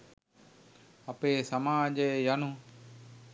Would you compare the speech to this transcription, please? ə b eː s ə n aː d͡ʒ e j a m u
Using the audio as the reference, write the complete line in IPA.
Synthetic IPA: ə p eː s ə m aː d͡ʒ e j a n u